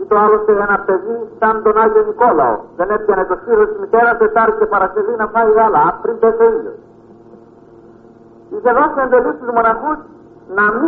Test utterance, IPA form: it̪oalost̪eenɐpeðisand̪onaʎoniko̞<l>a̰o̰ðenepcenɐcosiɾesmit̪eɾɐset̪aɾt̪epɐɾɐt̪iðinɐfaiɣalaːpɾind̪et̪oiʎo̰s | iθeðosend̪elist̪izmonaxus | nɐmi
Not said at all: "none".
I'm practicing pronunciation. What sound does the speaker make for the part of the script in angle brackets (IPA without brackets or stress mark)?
l